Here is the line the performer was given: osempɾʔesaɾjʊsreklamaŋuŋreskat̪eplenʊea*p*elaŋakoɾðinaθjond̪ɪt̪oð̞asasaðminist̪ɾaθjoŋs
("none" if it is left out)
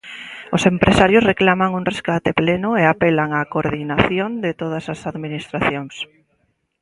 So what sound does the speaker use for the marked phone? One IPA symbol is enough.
p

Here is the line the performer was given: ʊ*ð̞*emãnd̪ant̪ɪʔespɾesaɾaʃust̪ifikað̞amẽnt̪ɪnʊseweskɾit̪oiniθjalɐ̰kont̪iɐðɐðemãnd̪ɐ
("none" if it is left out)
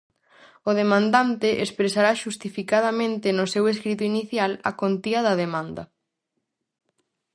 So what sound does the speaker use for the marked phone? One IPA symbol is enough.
ð̞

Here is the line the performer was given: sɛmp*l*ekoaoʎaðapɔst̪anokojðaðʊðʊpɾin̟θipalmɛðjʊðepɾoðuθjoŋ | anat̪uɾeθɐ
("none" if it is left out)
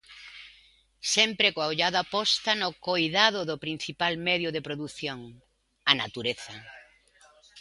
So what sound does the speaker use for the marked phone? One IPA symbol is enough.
ɾ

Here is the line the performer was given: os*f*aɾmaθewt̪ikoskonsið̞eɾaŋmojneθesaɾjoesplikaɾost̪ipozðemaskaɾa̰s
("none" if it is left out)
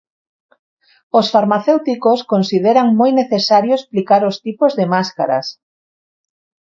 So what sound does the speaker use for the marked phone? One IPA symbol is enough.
f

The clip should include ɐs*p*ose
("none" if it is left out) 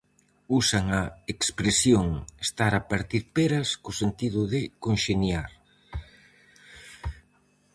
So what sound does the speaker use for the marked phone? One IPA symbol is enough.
k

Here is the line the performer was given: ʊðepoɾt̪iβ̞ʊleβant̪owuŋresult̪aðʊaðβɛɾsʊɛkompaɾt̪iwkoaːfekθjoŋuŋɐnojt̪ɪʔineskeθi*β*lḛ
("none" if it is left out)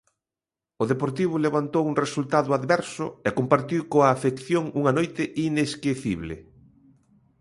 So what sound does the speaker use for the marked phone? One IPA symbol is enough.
β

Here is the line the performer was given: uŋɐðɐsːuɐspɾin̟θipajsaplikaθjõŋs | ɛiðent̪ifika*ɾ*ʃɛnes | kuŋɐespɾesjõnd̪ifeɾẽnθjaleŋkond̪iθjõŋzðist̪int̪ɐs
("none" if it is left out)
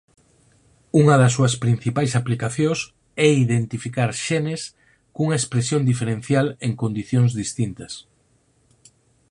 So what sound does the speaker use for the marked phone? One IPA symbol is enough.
ɾ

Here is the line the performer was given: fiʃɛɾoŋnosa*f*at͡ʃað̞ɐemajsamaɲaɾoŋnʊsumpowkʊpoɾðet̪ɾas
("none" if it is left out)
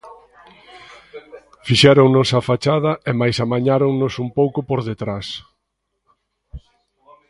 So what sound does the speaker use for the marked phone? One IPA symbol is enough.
f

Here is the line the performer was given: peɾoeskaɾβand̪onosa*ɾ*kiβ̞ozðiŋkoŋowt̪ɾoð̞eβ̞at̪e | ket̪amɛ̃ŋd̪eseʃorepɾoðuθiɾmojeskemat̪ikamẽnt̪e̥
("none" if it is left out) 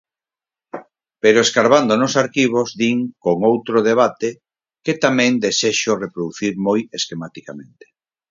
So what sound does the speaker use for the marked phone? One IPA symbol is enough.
ɾ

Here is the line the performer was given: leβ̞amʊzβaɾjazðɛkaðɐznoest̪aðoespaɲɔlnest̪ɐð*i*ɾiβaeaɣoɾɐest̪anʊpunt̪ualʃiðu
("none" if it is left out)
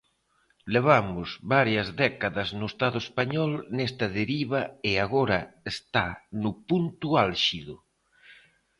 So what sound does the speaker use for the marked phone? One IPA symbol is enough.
e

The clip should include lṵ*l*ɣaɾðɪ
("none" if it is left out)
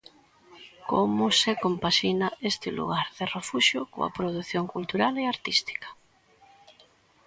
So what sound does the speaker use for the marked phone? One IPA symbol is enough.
none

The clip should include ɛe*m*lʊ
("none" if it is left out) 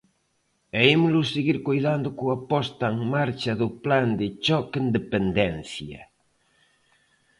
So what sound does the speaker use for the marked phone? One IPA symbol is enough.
m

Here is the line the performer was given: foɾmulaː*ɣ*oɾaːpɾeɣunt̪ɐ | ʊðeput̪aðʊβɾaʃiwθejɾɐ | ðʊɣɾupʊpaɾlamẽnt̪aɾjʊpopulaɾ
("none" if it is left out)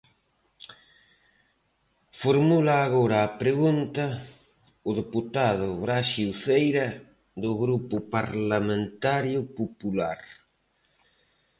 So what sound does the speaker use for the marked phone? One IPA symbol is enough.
ɣ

